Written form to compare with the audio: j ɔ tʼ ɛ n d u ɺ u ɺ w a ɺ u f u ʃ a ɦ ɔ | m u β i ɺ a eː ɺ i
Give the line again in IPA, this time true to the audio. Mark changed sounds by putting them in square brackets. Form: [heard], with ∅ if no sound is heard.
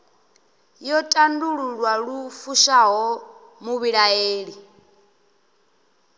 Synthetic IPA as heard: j ɔ tʼ [a] n d u ɺ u ɺ w a ɺ u f u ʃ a ɦ ɔ | m u β i ɺ a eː ɺ i